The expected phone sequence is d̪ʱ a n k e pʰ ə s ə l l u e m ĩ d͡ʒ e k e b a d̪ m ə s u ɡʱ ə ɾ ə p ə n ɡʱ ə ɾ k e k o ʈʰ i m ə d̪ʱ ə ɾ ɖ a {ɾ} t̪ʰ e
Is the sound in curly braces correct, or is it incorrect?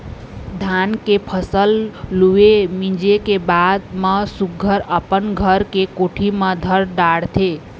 incorrect